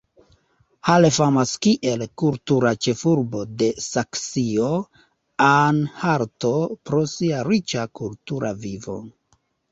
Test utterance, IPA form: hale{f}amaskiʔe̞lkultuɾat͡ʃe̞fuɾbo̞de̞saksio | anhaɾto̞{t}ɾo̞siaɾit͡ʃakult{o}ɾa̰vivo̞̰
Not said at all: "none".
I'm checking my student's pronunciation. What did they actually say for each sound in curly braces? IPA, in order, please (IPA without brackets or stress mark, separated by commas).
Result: f, p, u